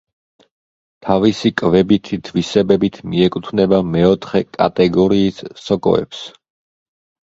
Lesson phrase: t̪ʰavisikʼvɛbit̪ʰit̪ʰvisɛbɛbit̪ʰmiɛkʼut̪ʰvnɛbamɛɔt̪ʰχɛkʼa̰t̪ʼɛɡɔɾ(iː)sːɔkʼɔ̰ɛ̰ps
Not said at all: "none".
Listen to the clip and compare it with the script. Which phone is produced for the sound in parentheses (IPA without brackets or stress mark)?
iː